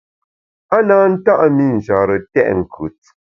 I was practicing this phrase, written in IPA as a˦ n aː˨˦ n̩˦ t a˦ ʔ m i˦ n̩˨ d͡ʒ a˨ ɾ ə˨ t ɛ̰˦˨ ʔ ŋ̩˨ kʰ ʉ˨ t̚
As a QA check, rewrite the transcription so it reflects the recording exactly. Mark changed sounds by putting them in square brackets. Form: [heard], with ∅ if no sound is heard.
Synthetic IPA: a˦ n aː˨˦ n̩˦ t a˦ ʔ m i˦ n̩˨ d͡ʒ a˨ ɾ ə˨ t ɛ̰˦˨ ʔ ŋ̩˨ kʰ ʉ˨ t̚